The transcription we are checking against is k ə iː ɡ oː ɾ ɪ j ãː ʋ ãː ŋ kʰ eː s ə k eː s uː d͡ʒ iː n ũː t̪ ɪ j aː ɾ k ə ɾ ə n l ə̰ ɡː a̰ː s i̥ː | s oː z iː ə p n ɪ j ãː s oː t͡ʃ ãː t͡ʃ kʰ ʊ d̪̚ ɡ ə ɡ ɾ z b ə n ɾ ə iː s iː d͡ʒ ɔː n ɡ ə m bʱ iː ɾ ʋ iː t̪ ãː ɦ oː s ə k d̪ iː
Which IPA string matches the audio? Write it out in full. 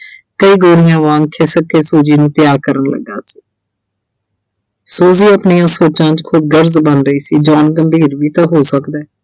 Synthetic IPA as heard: k ə iː ɡ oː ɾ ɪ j ãː ʋ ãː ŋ kʰ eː s ə k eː s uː d͡ʒ iː n ũː t̪ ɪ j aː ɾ k ə ɾ ə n l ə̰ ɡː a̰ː s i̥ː | s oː z iː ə p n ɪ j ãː s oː t͡ʃ ãː t͡ʃ kʰ ʊ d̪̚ ɡ ə ɾ z b ə n ɾ ə iː s iː d͡ʒ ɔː n ɡ ə m bʱ iː ɾ ʋ iː t̪ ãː ɦ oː s ə k d̪ ɛː